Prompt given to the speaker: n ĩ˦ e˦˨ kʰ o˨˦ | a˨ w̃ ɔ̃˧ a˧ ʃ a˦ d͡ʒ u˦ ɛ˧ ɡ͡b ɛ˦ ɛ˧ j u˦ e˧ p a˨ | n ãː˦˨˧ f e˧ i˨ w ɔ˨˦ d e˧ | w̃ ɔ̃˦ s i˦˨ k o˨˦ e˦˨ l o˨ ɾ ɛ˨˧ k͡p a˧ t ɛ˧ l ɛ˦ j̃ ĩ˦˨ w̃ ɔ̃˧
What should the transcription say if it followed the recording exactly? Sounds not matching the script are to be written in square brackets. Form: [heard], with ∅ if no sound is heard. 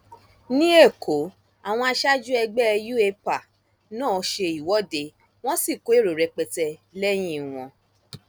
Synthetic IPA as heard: n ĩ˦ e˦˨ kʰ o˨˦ | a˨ w̃ ɔ̃˧ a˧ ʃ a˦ d͡ʒ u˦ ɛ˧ ɡ͡b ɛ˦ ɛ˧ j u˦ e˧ p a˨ | n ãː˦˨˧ [ʃ] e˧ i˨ w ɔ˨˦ d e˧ | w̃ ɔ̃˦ s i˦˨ k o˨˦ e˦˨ [ɾ] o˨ ɾ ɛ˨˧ k͡p [ɛ˧] t ɛ˧ l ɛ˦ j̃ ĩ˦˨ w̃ ɔ̃˧